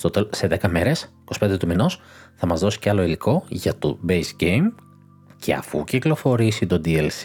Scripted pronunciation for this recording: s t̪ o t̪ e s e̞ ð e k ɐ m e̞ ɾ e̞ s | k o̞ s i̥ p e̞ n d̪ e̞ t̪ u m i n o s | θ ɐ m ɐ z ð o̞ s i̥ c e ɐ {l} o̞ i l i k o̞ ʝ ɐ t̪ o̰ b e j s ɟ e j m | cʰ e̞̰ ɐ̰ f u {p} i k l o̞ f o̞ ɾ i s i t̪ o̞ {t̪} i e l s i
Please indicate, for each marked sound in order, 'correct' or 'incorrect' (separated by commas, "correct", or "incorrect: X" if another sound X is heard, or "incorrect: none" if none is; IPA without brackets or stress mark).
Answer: correct, incorrect: c, incorrect: d̪